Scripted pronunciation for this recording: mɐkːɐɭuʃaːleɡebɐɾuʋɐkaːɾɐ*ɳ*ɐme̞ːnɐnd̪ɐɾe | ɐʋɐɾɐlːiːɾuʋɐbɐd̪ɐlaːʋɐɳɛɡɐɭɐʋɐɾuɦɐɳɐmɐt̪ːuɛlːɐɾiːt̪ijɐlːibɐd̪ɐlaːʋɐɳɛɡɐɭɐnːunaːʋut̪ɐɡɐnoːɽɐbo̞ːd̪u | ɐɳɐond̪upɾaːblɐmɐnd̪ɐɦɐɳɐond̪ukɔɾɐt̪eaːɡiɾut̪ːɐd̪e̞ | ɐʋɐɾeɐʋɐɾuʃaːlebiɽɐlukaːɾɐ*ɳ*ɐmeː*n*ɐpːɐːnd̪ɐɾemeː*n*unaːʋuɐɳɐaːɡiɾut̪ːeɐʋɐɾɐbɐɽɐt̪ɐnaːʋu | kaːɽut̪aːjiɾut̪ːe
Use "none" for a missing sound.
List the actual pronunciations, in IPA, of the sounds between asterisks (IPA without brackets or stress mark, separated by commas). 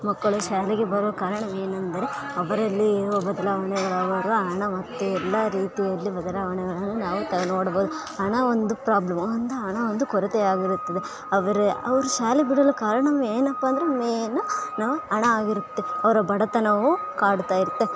ɳ, ɳ, n, n